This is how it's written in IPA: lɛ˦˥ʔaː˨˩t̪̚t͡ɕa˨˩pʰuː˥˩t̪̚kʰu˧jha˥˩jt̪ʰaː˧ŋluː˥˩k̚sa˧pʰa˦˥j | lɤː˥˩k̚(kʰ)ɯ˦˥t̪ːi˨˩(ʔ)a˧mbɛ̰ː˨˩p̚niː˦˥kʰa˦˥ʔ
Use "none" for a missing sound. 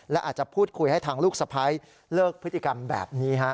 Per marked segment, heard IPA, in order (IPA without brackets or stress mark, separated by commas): pʰ, k